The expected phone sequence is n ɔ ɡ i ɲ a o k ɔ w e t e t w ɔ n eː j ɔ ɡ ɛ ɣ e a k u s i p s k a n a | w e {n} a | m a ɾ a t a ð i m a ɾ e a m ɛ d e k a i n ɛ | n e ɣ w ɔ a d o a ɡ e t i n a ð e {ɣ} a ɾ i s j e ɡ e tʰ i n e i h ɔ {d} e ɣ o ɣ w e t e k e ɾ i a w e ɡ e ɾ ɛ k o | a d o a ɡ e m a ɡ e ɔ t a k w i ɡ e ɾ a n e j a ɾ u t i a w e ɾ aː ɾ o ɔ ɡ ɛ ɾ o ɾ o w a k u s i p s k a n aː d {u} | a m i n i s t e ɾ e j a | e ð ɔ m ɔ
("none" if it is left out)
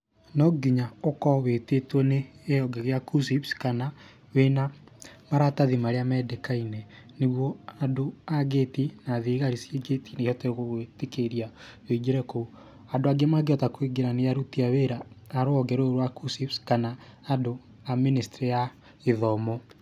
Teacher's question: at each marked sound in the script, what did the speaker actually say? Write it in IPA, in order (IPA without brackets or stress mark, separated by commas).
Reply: n, ɣ, t, o